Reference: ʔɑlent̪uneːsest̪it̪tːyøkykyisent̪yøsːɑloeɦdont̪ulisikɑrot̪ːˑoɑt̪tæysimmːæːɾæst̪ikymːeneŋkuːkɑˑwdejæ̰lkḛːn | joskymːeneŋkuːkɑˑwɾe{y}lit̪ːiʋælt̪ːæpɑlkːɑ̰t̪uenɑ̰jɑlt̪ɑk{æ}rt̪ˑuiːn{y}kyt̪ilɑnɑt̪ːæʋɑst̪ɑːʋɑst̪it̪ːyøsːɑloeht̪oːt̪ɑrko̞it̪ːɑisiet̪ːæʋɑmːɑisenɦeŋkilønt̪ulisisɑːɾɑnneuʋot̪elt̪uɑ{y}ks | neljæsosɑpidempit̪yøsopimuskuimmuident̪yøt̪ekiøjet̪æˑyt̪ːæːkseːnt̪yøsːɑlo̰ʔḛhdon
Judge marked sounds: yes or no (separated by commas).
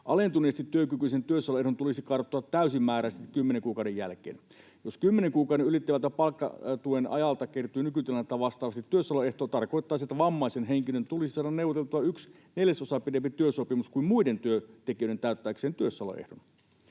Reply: yes, no, yes, yes